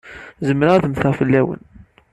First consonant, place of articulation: alveolar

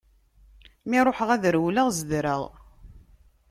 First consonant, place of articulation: labial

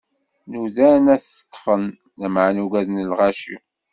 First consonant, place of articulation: alveolar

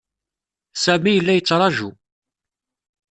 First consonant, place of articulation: alveolar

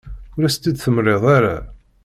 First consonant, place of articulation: alveolar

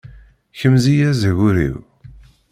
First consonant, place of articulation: palatal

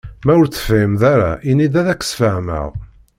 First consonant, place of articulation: labial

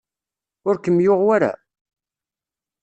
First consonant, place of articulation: alveolar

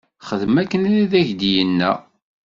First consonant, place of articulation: uvular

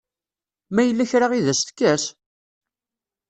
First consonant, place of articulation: labial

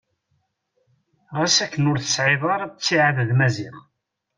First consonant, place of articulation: uvular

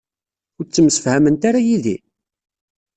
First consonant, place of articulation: alveolar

